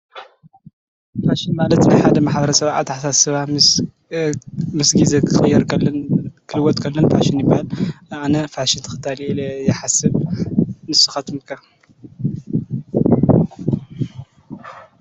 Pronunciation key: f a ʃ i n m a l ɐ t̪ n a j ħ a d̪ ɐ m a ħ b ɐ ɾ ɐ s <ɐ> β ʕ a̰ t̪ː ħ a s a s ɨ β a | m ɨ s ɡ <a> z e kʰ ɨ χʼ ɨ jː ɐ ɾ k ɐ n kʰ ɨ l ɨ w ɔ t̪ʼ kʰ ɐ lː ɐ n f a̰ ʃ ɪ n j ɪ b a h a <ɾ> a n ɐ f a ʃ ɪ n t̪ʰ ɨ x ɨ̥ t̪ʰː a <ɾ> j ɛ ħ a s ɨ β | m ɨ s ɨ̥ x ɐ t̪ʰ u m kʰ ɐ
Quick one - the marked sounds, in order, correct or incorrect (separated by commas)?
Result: correct, incorrect, incorrect, incorrect